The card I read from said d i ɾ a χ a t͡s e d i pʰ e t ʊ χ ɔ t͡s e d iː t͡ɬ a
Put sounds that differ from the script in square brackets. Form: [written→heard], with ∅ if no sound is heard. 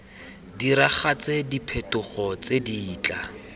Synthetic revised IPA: d i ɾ a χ a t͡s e d i pʰ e t ʊ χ ɔ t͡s e d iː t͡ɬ a